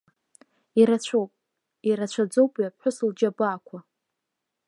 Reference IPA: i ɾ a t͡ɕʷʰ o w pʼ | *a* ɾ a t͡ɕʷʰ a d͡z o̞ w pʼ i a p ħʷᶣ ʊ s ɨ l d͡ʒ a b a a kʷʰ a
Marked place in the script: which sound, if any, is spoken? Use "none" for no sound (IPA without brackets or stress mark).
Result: i